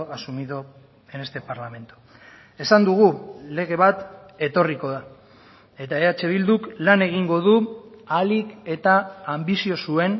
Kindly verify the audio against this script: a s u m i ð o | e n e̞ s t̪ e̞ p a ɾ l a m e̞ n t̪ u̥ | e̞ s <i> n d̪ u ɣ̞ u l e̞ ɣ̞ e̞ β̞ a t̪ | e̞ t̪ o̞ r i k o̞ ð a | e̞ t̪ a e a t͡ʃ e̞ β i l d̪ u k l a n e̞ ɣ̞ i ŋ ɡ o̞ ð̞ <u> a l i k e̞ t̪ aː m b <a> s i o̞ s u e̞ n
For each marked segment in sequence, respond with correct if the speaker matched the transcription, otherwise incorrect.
incorrect, correct, incorrect

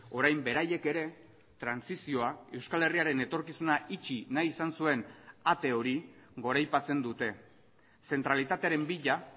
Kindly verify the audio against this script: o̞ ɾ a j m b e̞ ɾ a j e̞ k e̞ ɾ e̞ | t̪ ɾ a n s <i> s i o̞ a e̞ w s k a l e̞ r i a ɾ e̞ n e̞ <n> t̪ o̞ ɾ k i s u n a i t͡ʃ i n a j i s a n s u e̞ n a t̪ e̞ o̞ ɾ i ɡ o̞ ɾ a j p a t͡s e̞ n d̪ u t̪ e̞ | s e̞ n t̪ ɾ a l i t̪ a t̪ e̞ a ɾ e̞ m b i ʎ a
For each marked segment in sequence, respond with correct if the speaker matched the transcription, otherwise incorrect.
correct, incorrect

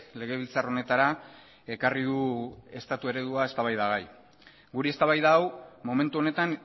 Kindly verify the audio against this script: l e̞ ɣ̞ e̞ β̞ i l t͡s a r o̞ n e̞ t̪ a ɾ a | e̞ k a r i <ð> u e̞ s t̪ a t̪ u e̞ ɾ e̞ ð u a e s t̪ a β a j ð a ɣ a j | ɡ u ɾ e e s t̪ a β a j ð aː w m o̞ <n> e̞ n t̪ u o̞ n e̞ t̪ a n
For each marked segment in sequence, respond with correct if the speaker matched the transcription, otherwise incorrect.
correct, incorrect

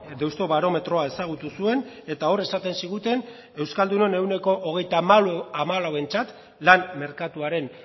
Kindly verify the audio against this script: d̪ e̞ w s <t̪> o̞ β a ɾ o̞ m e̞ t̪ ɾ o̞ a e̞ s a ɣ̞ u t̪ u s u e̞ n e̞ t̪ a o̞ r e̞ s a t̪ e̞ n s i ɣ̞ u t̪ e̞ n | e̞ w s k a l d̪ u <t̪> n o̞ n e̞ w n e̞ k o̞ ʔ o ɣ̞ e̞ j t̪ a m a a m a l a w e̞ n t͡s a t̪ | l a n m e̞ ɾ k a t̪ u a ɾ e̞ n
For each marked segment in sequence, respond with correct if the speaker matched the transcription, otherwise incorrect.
correct, incorrect

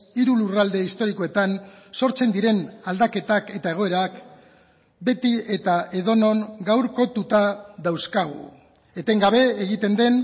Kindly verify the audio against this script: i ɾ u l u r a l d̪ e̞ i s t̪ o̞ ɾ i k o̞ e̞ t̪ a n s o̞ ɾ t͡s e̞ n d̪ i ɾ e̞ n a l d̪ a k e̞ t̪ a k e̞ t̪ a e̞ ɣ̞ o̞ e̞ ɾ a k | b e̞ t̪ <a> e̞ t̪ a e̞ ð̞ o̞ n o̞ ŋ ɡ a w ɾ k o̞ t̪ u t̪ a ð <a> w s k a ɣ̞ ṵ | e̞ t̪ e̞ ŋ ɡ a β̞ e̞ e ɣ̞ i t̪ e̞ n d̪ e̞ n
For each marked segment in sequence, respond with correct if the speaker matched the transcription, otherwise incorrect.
incorrect, correct

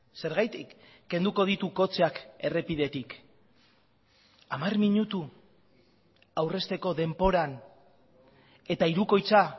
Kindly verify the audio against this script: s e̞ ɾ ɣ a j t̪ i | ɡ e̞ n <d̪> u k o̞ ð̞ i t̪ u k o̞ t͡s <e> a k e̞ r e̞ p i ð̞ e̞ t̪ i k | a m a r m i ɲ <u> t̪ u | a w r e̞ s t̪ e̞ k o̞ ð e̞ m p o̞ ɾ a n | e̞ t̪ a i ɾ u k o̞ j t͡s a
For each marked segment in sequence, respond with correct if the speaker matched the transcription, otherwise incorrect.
correct, correct, correct

